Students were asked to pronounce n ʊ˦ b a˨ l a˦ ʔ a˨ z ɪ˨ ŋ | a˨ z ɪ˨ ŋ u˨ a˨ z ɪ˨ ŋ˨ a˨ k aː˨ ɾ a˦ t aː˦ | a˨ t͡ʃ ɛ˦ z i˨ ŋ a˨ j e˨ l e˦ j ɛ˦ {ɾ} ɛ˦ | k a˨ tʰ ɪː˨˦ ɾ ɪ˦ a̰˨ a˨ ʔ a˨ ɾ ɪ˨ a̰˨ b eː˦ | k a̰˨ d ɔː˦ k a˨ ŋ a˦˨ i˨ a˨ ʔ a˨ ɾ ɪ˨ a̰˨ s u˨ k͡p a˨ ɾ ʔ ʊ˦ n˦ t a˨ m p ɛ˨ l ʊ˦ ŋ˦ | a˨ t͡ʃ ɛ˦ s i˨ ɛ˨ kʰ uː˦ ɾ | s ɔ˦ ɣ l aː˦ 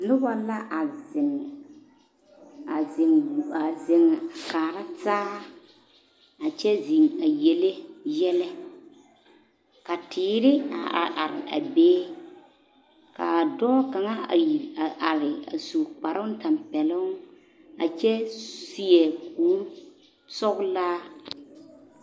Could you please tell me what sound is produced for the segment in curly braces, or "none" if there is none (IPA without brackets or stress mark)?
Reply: l